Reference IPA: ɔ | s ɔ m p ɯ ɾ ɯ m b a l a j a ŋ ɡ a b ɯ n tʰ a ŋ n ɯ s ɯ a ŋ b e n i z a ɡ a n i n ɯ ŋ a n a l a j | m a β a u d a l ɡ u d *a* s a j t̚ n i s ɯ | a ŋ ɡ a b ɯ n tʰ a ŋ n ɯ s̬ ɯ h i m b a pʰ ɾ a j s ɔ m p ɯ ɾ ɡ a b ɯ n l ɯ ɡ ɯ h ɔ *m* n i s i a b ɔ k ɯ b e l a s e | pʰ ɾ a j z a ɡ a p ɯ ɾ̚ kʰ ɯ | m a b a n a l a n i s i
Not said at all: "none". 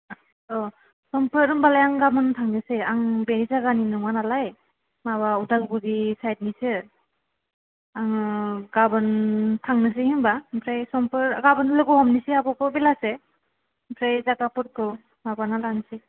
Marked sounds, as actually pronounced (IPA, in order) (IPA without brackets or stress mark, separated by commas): i, m